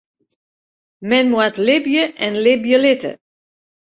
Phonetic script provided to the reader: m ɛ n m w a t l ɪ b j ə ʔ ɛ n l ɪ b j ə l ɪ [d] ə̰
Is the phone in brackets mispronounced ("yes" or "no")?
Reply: yes